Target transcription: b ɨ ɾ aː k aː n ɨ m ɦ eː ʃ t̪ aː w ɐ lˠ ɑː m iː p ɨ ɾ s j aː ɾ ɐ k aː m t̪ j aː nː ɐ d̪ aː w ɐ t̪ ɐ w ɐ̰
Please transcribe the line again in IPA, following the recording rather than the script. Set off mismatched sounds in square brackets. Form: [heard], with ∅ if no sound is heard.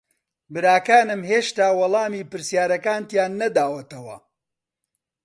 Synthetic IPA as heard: b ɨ ɾ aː k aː n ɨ m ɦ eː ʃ t̪ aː w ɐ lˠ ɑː m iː p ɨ ɾ s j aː ɾ ɐ k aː [n] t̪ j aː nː ɐ d̪ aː w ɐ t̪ ɐ w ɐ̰